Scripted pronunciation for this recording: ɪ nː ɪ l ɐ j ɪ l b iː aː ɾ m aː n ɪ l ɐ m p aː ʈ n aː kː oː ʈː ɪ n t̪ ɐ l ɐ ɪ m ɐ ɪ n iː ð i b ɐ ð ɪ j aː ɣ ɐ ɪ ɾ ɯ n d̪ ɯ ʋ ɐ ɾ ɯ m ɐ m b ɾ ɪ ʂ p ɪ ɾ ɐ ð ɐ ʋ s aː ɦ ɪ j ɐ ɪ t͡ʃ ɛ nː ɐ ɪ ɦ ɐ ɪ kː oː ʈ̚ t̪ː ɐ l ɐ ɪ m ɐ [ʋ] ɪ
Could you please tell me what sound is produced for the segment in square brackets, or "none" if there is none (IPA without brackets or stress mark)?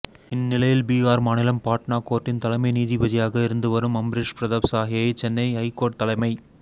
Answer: none